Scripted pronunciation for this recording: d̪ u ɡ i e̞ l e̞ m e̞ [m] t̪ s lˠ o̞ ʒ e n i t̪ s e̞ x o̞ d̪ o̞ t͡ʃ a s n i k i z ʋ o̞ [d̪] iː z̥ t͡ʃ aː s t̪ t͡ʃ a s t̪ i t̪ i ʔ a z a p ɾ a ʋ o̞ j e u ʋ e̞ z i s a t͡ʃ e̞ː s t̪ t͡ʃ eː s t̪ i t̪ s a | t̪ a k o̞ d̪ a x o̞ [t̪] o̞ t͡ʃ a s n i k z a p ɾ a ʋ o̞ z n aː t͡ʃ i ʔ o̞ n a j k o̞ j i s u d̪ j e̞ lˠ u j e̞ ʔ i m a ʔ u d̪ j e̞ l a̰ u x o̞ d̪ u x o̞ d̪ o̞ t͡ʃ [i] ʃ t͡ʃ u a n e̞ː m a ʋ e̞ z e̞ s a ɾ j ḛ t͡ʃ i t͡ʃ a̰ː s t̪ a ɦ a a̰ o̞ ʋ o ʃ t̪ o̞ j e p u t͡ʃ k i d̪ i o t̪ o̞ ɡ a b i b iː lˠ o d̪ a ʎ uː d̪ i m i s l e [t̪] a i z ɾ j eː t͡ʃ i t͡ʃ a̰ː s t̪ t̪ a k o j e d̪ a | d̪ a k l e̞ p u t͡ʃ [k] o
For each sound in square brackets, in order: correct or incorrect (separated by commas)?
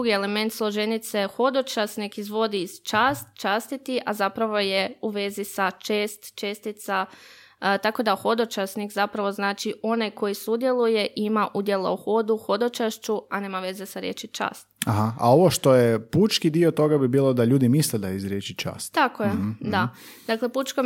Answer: incorrect, correct, incorrect, incorrect, incorrect, correct